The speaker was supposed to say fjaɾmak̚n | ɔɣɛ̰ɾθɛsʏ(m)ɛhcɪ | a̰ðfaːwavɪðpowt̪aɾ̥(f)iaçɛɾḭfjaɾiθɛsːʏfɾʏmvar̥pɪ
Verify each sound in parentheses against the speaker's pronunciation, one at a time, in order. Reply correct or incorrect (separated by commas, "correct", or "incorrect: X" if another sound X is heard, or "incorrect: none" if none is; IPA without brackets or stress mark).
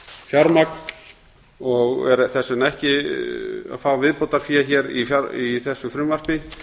incorrect: n, correct